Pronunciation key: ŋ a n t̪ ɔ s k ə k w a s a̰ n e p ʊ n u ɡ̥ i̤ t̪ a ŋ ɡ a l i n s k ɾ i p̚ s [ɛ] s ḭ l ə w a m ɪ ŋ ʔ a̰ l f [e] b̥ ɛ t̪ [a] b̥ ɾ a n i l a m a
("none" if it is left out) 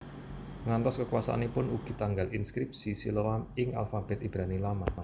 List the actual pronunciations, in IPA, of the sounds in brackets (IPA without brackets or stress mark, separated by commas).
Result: i, a, i